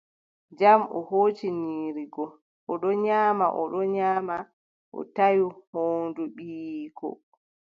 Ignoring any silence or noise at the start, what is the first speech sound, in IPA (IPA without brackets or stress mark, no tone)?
d͡ʒ